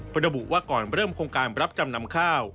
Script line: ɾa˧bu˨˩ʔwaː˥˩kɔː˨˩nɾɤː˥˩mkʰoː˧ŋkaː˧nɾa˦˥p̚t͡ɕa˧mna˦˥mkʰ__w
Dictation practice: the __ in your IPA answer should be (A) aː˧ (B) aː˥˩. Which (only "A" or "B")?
B